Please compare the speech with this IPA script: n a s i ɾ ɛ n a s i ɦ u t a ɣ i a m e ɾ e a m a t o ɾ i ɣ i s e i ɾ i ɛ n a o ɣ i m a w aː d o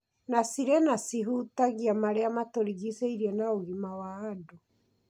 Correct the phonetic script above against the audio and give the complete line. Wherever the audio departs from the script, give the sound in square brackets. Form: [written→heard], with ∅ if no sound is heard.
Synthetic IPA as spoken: n a s i ɾ ɛ n a s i ɦ u t a ɣ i a m [e→a] ɾ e a m a t o ɾ i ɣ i s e i ɾ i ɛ n a o ɣ i m a w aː d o